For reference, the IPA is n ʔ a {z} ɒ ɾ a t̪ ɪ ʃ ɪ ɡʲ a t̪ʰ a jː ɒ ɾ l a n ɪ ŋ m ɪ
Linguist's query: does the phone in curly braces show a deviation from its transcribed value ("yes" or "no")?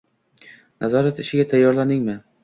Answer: no